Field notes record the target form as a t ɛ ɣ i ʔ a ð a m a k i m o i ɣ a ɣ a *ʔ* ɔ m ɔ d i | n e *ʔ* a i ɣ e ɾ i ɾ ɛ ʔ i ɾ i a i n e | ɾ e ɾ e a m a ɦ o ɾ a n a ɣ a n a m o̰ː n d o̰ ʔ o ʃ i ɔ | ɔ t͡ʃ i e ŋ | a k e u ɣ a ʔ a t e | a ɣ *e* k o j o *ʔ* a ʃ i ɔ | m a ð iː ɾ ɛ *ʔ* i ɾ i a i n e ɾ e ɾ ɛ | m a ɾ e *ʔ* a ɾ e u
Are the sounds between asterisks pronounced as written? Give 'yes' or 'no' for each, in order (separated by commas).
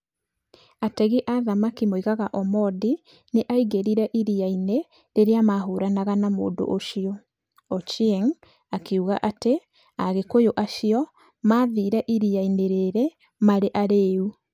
yes, yes, yes, yes, yes, yes